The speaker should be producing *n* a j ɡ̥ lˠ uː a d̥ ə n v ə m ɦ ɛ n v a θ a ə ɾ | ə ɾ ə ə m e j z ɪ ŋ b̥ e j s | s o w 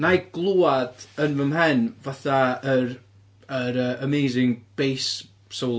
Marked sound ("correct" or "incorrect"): correct